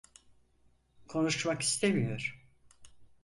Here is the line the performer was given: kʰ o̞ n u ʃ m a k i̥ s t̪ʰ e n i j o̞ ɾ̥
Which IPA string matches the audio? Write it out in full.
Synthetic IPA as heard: kʰ o̞ n u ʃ m a k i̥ s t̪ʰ e m i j o̞ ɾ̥